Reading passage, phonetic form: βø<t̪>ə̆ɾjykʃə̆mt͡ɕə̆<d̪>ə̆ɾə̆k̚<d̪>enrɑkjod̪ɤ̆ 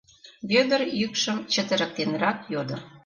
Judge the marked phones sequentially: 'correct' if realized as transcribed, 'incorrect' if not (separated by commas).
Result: incorrect, incorrect, incorrect